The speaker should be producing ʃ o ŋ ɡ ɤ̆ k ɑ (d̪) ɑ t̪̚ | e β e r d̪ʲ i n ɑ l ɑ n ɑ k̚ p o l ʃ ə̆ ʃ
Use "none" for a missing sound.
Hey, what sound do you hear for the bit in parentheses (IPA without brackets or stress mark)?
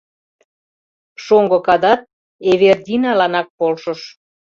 d̪